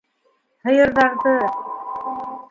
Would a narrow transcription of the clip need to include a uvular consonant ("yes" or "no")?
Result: no